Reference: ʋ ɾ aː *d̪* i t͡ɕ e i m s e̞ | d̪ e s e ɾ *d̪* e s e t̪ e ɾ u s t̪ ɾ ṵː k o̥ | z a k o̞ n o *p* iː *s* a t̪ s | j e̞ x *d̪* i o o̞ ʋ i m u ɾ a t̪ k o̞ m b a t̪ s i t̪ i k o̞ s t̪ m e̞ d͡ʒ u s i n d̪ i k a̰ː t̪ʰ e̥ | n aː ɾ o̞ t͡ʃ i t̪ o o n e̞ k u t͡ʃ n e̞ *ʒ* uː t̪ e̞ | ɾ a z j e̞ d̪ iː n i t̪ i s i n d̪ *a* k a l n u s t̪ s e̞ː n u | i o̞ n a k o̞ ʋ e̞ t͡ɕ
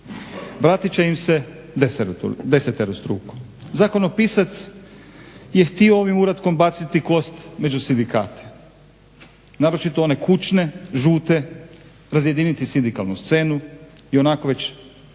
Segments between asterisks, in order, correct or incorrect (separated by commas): incorrect, correct, correct, correct, incorrect, correct, incorrect